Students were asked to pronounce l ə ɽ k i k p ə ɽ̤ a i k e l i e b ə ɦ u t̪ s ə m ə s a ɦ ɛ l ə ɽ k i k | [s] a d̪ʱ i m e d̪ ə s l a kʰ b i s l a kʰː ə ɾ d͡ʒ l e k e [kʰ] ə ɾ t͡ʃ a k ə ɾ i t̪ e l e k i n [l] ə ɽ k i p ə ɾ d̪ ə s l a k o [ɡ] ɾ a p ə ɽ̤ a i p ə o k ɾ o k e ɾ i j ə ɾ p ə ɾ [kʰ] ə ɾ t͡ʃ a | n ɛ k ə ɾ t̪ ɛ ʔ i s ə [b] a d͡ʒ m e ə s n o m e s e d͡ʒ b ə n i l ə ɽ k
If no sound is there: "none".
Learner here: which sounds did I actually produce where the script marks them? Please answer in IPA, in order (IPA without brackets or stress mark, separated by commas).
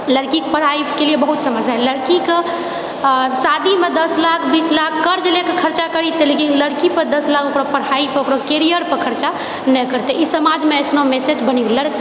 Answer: s, kʰ, l, k, kʰ, m